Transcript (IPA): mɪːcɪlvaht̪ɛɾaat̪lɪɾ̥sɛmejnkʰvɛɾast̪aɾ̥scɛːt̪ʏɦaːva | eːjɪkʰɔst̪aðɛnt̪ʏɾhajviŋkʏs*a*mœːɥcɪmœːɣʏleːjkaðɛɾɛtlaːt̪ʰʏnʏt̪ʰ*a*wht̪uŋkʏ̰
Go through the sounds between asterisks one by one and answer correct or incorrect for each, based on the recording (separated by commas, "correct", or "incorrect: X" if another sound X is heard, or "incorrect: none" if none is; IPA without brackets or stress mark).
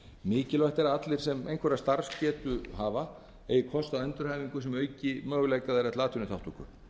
incorrect: ɛ, correct